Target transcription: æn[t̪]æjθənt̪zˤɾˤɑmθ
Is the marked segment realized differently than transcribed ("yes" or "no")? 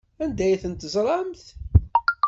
yes